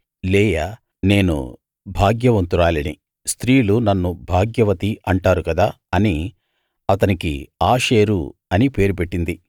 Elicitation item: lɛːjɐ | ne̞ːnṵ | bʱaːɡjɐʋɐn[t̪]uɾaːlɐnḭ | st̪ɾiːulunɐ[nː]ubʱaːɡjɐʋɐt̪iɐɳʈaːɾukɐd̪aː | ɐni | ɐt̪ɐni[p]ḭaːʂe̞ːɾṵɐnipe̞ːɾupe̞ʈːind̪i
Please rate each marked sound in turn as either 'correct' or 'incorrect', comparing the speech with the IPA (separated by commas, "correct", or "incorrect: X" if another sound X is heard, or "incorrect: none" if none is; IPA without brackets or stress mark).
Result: correct, correct, incorrect: k